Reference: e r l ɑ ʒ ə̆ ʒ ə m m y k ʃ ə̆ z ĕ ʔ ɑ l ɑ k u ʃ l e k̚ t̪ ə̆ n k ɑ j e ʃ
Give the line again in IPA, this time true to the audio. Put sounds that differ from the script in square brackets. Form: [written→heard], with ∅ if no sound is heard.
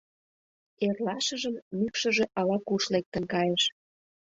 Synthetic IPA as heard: e r l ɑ [ʒ→ʃ] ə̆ ʒ ə m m y k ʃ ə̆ [z→ʒ] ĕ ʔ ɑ l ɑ k u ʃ l e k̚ t̪ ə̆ n k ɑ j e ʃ